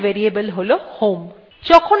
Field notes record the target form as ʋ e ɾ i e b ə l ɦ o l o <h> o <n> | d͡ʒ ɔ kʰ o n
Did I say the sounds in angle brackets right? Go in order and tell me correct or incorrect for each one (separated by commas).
correct, incorrect